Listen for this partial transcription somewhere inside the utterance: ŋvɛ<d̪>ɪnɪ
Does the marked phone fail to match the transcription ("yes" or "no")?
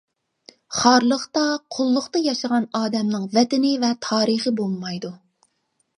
yes